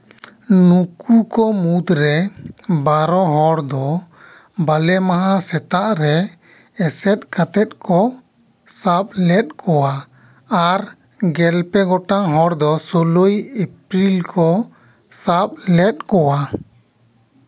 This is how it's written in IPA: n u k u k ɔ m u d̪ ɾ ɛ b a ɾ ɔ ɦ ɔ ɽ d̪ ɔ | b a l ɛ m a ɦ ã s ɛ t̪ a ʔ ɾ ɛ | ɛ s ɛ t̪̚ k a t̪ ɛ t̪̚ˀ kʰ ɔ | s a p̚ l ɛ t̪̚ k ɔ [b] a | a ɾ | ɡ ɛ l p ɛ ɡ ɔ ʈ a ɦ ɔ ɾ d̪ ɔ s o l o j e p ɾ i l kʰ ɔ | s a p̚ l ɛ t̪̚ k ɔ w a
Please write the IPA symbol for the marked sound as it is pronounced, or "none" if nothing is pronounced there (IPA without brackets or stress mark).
w